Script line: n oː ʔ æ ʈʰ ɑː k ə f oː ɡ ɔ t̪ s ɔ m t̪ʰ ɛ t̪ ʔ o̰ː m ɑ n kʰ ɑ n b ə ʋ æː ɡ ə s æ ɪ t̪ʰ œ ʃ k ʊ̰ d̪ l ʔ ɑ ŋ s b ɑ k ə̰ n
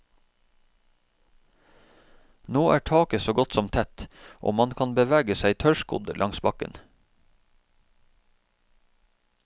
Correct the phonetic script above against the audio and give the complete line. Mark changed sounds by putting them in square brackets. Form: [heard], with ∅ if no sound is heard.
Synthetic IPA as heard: n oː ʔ [æː] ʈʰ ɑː k ə [s] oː ɡ ɔ t̪ s ɔ m t̪ʰ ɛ t̪ ʔ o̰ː m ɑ n kʰ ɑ n b ə ʋ æː ɡ ə s æ ɪ t̪ʰ œ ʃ k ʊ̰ d̪ l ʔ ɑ ŋ s b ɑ k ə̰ n